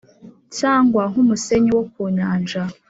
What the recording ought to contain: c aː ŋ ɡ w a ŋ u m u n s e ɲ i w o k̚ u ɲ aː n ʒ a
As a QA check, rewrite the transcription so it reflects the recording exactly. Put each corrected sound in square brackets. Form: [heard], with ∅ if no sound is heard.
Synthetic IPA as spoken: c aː ŋ ɡ w a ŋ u m u [∅] s e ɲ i w o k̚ u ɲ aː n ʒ a